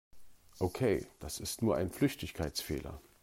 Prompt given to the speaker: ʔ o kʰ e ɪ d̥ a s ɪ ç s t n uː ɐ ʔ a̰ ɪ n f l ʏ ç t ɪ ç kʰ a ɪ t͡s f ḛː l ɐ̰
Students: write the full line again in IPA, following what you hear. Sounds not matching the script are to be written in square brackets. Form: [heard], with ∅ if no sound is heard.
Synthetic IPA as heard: ʔ o kʰ e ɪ d̥ a s ɪ [∅] s t n uː ɐ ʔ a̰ ɪ n f l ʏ ç t ɪ ç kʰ a ɪ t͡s f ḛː l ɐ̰